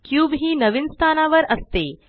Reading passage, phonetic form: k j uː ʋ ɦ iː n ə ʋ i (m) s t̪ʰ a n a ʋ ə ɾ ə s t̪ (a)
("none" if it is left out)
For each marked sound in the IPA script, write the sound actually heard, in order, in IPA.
n, e

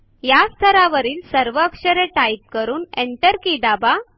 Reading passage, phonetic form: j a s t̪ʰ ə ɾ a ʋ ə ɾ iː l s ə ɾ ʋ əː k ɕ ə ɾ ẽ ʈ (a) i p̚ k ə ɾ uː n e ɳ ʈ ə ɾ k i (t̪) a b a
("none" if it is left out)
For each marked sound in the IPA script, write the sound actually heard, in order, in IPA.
a, d̪

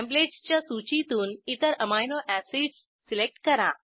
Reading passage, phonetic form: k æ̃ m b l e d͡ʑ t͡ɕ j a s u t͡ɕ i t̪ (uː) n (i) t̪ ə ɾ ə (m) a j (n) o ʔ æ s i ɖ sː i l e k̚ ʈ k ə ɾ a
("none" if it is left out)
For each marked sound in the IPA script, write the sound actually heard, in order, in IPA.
uː, i, m, n

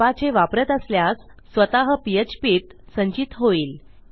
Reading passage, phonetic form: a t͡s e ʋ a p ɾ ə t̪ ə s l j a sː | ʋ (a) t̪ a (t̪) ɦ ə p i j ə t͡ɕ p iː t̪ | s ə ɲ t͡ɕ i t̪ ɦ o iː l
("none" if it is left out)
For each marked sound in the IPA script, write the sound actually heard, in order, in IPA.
ə, none

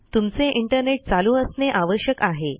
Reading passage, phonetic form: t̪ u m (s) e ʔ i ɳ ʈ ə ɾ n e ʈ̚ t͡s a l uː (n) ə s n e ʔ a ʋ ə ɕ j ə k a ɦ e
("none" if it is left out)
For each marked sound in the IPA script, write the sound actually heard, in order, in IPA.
t͡s, none

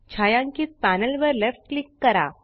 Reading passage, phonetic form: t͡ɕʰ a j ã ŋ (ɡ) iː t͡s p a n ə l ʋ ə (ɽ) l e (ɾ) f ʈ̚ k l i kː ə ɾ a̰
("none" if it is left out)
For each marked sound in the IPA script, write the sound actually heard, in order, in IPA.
k, ɾ, none

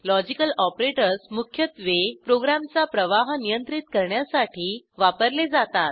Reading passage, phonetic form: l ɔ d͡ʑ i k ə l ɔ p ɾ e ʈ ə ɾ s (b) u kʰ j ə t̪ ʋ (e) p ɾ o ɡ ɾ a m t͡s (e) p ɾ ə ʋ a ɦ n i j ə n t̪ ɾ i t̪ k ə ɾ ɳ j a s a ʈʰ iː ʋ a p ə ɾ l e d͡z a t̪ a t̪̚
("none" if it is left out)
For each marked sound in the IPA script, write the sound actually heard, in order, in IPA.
m, e, a

